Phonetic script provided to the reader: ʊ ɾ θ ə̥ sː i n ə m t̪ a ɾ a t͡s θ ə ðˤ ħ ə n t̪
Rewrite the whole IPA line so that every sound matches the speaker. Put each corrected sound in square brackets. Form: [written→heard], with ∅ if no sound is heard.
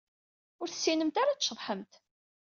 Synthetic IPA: ʊ ɾ θ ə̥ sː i n ə m t̪ a ɾ a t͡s [θ→ʃ] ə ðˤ ħ ə [n→m] t̪